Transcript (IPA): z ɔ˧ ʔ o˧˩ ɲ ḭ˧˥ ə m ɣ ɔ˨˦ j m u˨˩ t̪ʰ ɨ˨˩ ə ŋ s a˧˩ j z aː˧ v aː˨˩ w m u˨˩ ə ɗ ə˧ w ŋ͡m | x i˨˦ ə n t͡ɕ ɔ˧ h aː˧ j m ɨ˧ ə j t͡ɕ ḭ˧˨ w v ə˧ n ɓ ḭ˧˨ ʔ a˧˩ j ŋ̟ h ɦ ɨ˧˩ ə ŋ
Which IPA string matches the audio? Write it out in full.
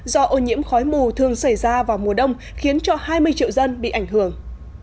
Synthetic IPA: z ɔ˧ ʔ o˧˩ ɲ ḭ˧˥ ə m x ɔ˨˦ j m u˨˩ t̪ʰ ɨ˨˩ ə ŋ s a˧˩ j z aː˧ v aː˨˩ w m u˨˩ ə ɗ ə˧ w ŋ͡m | x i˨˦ ə n t͡ɕ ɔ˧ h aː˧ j m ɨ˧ ə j t͡ɕ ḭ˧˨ w z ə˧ n ɓ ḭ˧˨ ʔ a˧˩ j ŋ̟ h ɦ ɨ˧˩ ə ŋ

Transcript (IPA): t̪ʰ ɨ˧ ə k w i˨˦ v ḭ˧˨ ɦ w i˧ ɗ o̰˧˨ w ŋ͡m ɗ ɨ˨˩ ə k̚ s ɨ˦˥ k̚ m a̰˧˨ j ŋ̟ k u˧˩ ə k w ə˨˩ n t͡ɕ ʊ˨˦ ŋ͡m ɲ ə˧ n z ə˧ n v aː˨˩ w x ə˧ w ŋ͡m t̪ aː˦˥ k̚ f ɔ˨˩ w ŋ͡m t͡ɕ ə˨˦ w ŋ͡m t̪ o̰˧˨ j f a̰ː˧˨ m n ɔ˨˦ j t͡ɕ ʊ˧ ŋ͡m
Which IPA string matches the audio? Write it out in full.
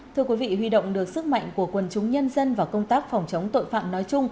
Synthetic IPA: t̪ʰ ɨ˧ ə k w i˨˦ v ḭ˧˨ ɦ w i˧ ɗ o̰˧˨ w ŋ͡m ɗ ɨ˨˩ ə k̚ s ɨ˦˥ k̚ m a̰˧˨ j ŋ̟ k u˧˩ ə k w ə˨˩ n t͡ɕ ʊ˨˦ ŋ͡m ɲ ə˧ n z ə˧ n v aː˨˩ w k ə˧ w ŋ͡m t̪ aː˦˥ k̚ f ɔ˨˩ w ŋ͡m t͡ɕ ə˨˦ w ŋ͡m t̪ o̰˧˨ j f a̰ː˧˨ m n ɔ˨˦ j t͡ɕ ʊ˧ ŋ͡m

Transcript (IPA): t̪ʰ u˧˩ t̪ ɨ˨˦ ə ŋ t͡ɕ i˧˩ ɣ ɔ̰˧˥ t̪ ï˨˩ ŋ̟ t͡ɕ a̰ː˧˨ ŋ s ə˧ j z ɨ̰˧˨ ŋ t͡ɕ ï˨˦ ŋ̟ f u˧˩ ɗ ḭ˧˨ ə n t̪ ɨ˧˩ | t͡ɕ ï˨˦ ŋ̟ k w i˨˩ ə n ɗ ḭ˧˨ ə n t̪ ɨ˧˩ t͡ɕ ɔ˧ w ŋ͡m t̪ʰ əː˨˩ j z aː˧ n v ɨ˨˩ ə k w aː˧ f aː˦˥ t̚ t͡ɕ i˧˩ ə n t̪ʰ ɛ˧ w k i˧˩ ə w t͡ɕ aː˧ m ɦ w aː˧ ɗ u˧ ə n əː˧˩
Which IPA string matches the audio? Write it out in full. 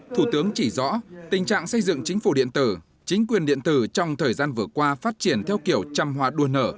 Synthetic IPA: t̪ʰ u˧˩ t̪ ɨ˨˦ ə ŋ t͡ɕ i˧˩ z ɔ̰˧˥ t̪ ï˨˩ ŋ̟ t͡ɕ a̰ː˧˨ ŋ s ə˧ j z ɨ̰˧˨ ŋ t͡ɕ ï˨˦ ŋ̟ f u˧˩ ɗ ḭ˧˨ ə n t̪ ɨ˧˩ | t͡ɕ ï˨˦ ŋ̟ k w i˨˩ ə n ɗ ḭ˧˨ ə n t̪ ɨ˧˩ t͡ɕ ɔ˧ w ŋ͡m t̪ʰ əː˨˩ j z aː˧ n v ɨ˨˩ ə k w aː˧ f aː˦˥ t̚ t͡ɕ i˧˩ ə n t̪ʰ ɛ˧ w k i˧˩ ə w t͡ɕ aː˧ m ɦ w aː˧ ɗ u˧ ə n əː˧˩

